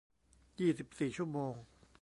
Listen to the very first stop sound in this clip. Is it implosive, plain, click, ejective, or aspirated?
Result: plain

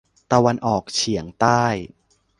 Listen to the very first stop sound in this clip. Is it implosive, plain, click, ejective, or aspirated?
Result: plain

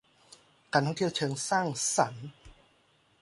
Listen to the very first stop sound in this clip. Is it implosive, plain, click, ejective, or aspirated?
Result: plain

